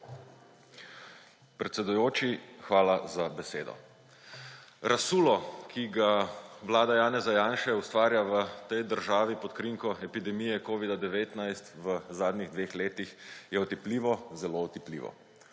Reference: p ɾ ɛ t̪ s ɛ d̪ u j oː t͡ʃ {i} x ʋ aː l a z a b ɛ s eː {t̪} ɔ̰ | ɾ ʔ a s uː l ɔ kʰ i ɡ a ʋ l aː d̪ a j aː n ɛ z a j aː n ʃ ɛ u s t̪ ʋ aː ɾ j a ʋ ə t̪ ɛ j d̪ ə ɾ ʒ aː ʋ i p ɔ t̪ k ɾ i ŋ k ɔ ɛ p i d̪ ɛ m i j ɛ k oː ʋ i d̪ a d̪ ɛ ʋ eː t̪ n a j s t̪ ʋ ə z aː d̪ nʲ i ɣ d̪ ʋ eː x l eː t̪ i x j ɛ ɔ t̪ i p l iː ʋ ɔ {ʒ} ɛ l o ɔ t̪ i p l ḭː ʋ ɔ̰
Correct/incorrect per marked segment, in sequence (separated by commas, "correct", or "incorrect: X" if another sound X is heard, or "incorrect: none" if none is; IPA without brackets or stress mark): correct, incorrect: d̪, incorrect: z